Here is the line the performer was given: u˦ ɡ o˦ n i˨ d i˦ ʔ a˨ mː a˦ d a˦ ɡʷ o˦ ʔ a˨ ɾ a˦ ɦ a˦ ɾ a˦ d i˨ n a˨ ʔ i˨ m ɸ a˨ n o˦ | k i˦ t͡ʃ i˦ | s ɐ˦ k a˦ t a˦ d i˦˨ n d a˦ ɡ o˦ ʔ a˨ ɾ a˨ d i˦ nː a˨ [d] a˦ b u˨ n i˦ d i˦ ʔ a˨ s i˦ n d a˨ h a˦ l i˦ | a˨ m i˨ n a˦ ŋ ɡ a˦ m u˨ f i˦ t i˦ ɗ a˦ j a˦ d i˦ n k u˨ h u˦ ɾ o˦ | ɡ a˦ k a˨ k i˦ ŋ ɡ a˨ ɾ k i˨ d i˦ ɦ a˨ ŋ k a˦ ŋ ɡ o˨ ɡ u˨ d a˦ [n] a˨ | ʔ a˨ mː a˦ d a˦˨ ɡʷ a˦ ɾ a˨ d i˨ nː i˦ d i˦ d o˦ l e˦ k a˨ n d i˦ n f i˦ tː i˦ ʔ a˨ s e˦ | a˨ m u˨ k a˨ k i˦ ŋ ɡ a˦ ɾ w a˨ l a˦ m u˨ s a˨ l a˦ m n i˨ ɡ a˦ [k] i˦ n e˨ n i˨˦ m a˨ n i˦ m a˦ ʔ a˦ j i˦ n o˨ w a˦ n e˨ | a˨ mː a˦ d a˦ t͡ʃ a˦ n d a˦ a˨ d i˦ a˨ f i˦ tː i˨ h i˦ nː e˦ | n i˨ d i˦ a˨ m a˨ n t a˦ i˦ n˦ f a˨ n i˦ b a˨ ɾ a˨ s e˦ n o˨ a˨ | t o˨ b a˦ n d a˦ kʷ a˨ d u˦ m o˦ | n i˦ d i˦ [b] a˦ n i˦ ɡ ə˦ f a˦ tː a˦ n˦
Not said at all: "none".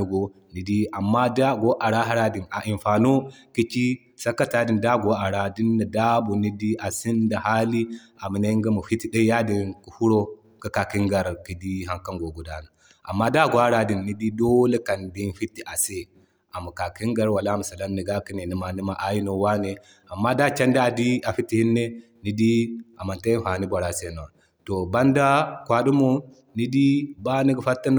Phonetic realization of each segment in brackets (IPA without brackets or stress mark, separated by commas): d, n, k, b